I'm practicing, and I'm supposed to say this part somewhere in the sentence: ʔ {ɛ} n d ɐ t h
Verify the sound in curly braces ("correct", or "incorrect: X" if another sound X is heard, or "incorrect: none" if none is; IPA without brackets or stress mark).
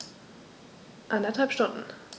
incorrect: a